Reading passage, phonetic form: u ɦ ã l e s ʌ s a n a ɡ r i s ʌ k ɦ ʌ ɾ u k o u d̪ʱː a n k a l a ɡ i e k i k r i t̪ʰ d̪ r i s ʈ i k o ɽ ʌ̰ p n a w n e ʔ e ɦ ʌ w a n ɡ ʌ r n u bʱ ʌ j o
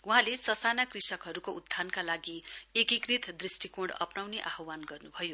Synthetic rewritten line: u ɦ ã l e s ʌ s a n a k r i s ʌ k ɦ ʌ ɾ u k o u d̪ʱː a n k a l a ɡ i e k i k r i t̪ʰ d̪ r i s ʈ i k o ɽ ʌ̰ p n a w n e ʔ a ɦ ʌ w a n ɡ ʌ r n u bʱ ʌ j o